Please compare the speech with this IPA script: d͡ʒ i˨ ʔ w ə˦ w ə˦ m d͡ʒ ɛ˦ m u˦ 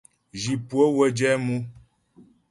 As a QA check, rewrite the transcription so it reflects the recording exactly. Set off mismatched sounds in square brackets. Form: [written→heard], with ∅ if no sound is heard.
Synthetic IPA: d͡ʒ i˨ [ʔ→p] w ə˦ w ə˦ [m→∅] d͡ʒ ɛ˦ m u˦

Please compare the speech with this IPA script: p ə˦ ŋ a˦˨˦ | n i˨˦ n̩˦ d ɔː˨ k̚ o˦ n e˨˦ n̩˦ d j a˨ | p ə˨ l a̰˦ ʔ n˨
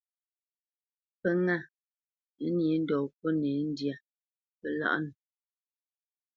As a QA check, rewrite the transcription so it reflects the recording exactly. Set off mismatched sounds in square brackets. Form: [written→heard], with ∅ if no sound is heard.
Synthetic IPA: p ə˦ ŋ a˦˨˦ | n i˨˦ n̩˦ d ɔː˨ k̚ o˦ n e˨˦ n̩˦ d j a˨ | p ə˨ l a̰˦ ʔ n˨

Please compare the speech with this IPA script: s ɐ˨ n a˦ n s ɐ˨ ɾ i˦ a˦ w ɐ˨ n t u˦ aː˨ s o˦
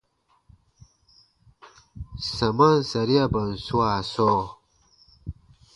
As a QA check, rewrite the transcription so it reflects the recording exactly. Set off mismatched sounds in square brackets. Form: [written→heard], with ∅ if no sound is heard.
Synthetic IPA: s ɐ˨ [n→m] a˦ n s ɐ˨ ɾ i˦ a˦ [w→b] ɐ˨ n [t→s] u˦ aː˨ s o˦

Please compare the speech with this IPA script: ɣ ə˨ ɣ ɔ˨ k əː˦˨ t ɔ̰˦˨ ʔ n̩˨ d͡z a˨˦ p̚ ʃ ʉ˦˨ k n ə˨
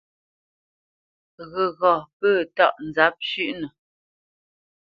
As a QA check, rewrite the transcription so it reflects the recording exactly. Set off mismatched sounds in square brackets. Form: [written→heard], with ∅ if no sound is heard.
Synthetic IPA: ɣ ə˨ ɣ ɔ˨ [k→p] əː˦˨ t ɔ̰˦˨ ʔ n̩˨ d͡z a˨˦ p̚ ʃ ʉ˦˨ [k→ʔ] n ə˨

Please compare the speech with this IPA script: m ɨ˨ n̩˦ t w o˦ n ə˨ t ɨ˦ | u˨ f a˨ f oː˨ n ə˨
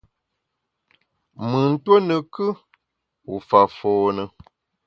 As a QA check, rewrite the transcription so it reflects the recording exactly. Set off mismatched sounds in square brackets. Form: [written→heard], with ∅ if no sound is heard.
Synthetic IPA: m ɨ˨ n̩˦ t w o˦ n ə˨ [t→k] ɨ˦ | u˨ f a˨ f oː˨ n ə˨

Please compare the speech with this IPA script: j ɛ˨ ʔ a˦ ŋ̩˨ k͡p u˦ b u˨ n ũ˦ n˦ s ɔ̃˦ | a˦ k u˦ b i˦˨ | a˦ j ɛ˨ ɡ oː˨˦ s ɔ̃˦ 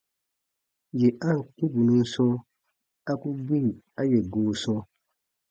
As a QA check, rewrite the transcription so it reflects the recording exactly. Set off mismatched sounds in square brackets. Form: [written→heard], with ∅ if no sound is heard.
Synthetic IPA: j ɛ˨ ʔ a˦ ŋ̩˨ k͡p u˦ b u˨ n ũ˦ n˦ s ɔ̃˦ | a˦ k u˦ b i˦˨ | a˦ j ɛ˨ ɡ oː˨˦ s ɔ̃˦

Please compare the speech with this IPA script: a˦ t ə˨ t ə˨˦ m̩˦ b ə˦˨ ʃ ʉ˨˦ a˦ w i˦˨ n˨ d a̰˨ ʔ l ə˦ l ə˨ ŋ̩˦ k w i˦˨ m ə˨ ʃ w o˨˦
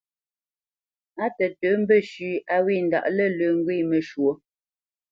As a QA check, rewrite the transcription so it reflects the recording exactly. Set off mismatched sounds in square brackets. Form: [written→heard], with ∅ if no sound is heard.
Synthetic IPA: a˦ t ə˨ t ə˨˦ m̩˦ b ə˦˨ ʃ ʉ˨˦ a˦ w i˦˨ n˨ d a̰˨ ʔ l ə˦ l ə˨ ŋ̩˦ [k→ɡ] w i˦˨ m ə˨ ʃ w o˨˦

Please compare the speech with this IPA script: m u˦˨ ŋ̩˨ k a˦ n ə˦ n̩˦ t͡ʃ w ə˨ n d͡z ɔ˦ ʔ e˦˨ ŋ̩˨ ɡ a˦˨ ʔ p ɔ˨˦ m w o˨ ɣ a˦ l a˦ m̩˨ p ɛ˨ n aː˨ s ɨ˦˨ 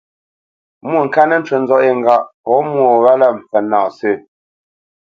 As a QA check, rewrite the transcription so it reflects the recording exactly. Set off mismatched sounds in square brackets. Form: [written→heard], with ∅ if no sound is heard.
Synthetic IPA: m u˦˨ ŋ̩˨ k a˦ n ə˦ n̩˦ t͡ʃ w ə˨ n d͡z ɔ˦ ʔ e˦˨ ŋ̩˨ ɡ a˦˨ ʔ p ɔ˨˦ m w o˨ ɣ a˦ l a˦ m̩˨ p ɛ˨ n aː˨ s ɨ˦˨

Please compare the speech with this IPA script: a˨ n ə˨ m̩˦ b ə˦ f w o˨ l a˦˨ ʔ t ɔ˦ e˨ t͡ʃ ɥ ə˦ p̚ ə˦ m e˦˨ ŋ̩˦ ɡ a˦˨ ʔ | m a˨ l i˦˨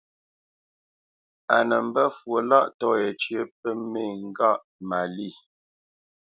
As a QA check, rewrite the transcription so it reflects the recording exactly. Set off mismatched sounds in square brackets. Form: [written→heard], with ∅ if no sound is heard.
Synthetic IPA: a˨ n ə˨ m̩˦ b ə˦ f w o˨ l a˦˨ ʔ t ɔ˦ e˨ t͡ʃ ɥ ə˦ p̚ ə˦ m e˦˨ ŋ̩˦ ɡ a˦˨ ʔ | m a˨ l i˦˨

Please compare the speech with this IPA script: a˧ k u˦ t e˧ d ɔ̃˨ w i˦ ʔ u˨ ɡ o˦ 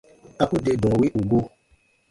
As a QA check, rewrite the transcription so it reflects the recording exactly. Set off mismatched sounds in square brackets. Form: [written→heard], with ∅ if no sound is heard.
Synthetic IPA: a˧ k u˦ [t→d] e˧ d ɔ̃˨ w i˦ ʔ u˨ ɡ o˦

